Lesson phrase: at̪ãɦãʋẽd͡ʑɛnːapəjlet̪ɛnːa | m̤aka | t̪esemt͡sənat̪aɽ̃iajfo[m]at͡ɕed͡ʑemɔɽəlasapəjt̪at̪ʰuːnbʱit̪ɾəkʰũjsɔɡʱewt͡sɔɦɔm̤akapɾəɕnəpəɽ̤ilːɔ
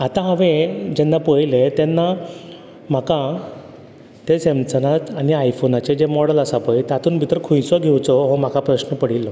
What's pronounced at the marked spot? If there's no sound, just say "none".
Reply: n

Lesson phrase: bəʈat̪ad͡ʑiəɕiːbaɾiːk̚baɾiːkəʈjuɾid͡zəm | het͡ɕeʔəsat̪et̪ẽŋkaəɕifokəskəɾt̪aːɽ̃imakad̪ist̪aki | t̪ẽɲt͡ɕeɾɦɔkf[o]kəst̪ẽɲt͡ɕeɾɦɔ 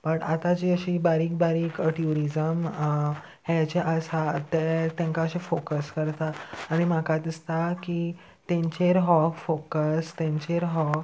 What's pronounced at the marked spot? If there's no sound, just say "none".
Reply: o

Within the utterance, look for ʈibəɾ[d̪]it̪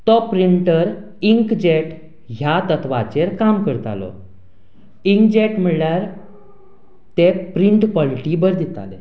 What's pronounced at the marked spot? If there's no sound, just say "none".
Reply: d̪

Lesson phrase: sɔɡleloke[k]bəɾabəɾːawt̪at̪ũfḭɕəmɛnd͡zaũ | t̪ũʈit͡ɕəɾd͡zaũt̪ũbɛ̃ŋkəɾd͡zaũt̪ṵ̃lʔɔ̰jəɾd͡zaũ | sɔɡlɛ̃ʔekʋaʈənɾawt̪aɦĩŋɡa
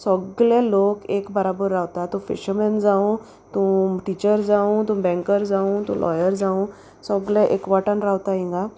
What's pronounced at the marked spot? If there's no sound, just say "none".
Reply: k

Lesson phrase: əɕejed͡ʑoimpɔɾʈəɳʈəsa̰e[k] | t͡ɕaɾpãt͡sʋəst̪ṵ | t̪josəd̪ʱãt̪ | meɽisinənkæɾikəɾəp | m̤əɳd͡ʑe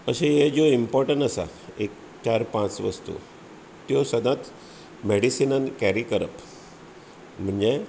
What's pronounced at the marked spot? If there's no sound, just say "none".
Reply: k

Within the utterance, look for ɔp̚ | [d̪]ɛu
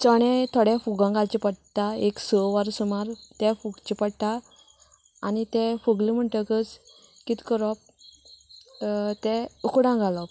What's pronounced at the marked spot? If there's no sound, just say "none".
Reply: t̪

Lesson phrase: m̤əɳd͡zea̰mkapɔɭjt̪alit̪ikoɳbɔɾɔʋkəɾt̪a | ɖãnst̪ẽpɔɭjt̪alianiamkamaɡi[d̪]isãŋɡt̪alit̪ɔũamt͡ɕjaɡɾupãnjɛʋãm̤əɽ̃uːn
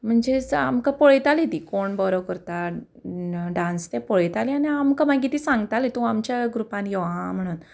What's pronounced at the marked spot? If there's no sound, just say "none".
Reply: t̪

